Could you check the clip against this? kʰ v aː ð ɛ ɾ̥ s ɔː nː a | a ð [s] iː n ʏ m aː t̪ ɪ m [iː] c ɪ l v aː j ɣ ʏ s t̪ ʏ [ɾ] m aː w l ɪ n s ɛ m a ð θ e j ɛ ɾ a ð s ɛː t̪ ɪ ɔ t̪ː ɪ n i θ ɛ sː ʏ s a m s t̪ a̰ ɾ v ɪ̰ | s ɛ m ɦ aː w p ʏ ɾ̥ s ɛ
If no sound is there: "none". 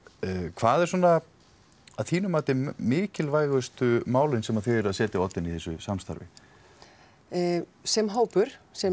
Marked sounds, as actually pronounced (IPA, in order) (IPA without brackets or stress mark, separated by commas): θ, ɪː, none